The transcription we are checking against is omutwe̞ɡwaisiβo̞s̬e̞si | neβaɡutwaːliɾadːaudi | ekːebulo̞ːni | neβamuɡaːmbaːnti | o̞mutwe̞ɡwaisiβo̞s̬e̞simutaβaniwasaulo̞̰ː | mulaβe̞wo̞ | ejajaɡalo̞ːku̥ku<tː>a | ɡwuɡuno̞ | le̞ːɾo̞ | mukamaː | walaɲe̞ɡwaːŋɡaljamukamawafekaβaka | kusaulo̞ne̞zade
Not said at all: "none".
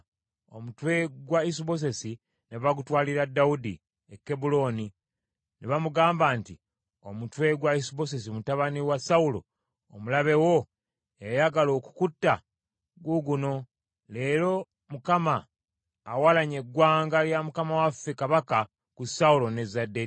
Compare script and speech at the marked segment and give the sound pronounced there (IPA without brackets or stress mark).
tː